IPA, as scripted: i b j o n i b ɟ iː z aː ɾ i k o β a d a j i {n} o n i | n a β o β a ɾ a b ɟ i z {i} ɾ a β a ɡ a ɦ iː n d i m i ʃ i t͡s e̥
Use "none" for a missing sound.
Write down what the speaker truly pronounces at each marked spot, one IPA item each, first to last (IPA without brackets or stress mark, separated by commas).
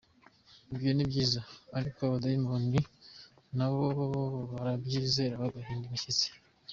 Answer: m, e